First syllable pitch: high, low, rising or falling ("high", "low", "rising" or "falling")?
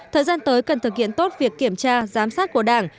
low